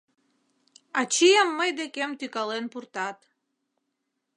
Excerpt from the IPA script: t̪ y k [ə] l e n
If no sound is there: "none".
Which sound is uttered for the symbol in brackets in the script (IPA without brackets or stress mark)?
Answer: ɑ